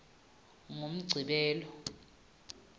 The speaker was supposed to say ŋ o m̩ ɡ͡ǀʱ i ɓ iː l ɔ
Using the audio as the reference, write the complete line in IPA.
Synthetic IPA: ŋ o m̩ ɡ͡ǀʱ i ɓ ɛː l ɔ